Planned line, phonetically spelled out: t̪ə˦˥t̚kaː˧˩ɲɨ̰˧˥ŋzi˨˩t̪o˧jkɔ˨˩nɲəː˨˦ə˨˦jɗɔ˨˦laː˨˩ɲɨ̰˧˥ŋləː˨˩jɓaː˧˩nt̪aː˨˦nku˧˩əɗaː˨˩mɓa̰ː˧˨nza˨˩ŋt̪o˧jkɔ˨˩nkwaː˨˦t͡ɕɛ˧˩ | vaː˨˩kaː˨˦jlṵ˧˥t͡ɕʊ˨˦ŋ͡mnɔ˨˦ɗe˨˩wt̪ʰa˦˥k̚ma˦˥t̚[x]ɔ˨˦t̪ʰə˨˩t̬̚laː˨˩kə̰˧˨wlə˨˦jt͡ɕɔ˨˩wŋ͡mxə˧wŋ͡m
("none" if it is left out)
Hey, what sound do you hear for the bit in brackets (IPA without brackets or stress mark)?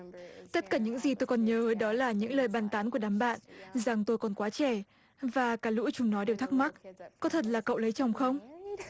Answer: k